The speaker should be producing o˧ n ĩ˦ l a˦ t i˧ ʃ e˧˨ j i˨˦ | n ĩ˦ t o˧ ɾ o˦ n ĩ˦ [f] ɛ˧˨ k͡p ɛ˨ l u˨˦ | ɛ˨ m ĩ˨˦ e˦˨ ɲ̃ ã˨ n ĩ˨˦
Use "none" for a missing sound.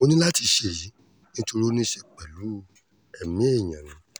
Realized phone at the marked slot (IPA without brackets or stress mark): ʃ